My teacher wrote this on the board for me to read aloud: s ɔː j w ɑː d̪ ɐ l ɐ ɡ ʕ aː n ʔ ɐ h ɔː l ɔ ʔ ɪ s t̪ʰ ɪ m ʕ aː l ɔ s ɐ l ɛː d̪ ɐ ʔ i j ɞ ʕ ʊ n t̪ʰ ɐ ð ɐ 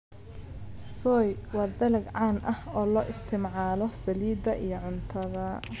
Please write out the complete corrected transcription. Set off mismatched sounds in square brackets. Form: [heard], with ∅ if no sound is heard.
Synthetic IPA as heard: s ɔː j w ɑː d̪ ɐ l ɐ ɡ ʕ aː n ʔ ɐ h ɔː l [ɔː] ʔ ɪ s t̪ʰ ɪ m ʕ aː l ɔ s ɐ l [iː] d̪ ɐ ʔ i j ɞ ʕ ʊ n t̪ʰ ɐ ð ɐ